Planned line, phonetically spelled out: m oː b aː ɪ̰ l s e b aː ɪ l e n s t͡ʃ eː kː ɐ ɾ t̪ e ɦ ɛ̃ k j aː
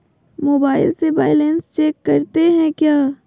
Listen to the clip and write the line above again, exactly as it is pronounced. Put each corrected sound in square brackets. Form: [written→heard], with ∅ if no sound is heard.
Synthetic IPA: m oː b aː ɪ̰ l s e b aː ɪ l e n s t͡ʃ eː kː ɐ ɾ t̪ e ɦ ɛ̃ k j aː